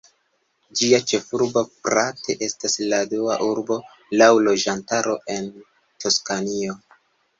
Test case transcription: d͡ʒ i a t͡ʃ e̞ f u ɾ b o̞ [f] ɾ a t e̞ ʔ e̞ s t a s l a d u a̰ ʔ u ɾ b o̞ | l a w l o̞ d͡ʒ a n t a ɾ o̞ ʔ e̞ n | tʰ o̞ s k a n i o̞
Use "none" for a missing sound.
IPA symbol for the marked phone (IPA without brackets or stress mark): f